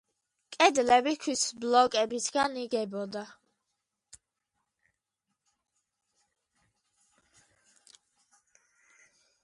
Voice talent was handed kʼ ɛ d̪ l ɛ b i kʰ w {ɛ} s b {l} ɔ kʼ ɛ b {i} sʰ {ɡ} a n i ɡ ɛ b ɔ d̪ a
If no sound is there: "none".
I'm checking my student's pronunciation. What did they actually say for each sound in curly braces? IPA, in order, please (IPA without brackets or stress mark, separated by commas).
i, l, i, ɡ